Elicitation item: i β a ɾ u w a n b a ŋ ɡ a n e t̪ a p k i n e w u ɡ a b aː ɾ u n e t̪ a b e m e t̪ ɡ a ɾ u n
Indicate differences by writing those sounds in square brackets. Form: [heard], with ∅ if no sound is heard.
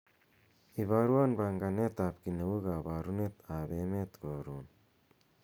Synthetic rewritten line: i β a ɾ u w a n b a ŋ ɡ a n e t̪ a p k i n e w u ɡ a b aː ɾ u n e t̪ a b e m e t̪ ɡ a ɾ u n